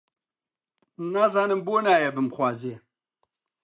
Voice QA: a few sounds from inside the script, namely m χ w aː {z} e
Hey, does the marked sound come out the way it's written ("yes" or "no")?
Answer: yes